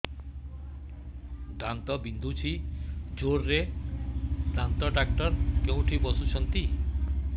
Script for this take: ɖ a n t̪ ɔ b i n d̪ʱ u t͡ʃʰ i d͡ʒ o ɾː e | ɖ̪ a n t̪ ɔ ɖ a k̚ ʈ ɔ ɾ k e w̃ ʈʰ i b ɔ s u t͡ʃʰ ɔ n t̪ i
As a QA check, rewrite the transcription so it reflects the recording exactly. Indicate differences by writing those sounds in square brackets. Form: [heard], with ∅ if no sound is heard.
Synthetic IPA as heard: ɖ a n t̪ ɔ b i n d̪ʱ u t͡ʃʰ i d͡ʒ o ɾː e | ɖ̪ a n t̪ ɔ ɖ a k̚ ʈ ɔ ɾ k e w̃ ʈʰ i b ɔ s u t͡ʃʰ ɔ n t̪ i